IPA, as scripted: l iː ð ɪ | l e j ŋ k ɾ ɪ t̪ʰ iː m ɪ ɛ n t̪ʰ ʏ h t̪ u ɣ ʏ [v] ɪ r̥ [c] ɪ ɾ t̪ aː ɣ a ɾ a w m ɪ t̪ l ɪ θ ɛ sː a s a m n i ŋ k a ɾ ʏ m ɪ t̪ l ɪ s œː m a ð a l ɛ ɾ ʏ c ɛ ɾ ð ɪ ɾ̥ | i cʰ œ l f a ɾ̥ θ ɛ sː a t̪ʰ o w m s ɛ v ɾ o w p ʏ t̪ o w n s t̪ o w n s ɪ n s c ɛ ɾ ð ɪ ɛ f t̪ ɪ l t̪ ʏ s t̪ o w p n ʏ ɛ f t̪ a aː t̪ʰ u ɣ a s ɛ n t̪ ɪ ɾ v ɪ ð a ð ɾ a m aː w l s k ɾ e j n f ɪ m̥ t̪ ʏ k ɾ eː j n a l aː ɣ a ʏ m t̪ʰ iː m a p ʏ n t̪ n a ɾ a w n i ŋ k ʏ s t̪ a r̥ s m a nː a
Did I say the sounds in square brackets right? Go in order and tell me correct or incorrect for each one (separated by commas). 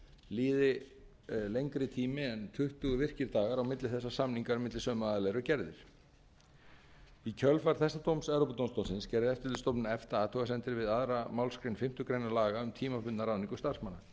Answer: correct, correct